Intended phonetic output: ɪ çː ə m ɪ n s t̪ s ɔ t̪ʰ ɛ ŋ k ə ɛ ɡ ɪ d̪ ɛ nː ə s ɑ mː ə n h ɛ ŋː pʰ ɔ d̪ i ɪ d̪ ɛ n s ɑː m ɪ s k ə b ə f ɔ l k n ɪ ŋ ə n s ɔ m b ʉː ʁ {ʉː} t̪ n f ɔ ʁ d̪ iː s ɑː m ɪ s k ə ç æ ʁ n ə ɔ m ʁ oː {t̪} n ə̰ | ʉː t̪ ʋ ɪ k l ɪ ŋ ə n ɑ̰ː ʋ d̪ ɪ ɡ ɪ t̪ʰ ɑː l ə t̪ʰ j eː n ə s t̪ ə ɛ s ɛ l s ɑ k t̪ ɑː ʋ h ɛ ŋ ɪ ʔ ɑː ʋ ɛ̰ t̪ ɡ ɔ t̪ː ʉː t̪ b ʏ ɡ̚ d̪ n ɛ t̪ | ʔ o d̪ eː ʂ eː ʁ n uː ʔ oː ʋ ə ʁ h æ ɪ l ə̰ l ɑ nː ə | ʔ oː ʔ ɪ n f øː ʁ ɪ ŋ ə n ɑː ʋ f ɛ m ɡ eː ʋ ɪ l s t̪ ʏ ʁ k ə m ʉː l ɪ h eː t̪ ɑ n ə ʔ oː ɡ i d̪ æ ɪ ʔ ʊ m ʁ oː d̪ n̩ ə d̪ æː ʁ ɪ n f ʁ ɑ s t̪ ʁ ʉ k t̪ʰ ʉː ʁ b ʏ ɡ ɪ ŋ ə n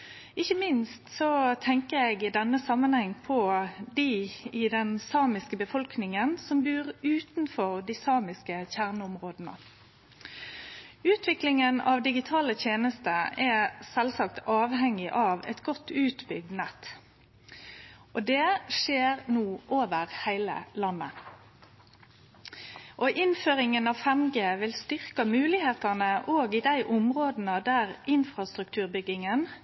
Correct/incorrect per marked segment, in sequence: correct, incorrect: d̪

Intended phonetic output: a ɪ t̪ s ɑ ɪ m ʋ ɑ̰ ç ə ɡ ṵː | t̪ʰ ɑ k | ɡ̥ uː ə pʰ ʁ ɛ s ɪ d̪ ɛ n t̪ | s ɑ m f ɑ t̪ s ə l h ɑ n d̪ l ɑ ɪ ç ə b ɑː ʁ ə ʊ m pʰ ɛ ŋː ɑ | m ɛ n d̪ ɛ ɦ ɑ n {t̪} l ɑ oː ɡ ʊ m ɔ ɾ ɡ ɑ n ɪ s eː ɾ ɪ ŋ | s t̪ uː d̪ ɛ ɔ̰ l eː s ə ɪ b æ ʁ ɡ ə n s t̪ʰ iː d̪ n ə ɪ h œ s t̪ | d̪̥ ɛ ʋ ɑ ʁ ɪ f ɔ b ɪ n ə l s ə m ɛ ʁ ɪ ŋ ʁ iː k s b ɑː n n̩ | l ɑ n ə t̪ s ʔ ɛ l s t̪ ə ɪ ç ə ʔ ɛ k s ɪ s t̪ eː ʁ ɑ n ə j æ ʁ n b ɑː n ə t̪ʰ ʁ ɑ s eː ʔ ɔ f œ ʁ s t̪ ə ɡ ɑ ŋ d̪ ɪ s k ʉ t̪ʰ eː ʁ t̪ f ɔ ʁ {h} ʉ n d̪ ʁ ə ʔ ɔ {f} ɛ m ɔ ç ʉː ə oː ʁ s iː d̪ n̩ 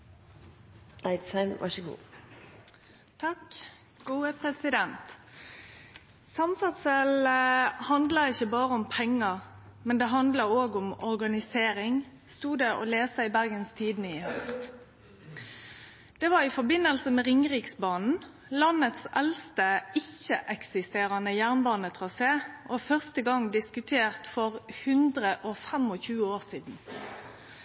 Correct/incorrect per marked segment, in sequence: incorrect: d̪, correct, correct

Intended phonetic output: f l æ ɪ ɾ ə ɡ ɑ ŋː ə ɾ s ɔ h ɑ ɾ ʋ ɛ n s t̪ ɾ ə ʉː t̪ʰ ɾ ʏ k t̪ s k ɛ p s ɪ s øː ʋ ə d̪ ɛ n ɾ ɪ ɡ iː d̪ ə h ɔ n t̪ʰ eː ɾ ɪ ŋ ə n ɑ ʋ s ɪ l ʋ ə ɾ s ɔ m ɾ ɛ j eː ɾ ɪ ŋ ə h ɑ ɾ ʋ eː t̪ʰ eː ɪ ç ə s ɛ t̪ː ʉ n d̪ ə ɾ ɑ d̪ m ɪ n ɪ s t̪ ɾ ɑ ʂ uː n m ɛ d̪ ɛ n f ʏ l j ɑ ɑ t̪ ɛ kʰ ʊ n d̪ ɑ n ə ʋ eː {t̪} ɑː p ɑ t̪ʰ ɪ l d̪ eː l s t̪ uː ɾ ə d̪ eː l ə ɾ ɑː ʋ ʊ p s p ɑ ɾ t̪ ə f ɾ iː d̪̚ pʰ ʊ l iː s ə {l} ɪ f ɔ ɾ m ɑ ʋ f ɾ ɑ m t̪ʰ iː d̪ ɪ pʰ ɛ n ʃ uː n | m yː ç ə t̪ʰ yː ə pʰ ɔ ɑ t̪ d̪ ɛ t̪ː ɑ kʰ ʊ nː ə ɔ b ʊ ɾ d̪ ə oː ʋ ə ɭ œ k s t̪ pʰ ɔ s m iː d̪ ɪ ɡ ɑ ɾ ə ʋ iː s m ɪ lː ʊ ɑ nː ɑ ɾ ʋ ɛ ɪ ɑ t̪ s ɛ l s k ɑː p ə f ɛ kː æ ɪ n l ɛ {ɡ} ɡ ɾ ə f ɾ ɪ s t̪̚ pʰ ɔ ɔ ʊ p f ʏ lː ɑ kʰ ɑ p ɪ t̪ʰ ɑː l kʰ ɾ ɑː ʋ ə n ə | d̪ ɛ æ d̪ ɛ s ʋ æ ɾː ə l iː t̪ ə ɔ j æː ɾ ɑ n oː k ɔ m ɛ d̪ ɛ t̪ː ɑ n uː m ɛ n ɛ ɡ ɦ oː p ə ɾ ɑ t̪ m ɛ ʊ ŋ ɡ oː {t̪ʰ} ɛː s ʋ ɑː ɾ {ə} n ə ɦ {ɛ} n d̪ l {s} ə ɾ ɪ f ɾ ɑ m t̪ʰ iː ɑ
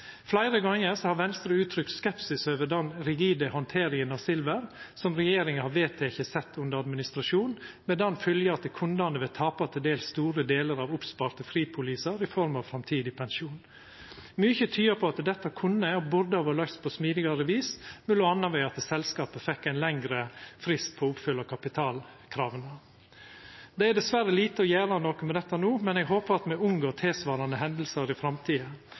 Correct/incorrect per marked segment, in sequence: incorrect: t̪ʰ, incorrect: ɾ, incorrect: ŋ, correct, incorrect: ɑ, correct, correct

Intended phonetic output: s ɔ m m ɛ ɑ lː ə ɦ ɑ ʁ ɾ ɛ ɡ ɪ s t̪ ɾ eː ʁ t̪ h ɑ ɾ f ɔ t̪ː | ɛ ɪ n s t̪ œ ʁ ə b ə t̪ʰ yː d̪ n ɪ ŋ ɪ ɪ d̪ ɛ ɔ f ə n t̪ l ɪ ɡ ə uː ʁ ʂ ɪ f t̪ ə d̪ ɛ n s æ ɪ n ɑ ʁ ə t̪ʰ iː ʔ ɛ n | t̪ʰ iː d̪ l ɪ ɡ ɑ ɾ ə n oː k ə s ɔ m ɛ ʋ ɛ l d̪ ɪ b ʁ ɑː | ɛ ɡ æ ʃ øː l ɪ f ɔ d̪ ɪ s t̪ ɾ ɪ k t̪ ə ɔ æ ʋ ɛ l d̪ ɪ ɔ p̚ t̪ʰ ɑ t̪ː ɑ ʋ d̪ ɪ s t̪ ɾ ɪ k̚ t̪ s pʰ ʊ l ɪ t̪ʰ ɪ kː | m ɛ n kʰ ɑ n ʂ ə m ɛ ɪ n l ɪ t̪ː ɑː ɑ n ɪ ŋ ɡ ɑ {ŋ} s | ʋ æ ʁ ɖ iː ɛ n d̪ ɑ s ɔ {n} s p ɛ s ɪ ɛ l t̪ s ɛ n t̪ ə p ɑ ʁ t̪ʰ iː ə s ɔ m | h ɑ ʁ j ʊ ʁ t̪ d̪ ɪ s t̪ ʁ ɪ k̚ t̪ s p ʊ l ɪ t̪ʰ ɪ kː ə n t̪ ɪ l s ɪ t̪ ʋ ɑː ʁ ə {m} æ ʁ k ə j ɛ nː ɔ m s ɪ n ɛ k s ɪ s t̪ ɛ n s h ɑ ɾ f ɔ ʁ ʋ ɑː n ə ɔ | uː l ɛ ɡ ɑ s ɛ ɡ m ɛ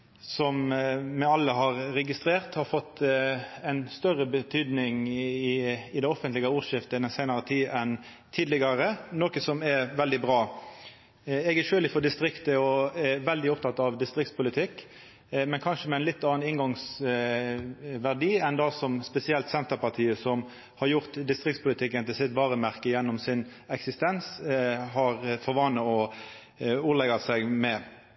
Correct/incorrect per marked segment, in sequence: correct, incorrect: m, correct

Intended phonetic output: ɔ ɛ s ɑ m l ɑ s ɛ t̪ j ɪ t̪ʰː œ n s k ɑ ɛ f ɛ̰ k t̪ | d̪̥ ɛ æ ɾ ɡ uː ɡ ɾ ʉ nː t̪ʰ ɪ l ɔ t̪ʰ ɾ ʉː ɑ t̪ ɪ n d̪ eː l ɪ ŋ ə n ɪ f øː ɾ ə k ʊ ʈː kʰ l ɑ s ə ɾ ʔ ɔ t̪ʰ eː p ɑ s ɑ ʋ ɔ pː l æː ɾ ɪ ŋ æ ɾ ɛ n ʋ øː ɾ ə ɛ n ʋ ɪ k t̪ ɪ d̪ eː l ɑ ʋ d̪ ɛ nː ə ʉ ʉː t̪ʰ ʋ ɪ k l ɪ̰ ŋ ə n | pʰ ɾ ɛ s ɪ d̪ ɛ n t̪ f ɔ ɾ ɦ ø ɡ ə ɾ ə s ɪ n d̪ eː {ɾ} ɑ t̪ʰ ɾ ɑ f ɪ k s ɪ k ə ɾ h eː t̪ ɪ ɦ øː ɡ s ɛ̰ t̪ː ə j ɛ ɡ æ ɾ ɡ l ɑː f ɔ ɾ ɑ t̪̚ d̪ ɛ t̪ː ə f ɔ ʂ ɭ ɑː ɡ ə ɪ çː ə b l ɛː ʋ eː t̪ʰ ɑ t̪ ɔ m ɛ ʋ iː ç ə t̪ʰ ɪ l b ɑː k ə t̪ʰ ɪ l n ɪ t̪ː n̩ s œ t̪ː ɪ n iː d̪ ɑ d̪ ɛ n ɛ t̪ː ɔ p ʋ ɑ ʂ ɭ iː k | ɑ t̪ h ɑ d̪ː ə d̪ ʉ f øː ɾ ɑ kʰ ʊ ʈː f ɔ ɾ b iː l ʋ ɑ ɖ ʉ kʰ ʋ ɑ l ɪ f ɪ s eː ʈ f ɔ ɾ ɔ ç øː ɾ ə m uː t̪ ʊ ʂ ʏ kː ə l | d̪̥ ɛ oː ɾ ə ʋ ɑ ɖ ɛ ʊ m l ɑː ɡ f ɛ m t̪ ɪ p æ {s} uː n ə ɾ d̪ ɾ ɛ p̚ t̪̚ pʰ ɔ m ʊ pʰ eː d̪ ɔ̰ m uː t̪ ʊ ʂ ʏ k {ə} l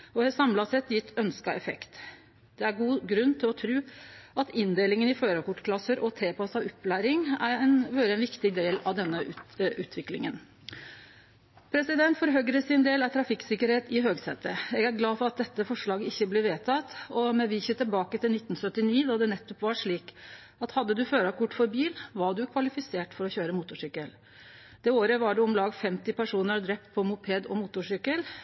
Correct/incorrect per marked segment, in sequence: incorrect: l, incorrect: ʂ, correct

